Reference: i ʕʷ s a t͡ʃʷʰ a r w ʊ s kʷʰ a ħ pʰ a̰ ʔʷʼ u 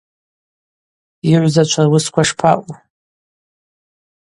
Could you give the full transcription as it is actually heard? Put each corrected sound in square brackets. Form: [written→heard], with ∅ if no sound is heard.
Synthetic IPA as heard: i ʕʷ [s→z] a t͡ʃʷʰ a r w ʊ s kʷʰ a [ħ→ʂ] pʰ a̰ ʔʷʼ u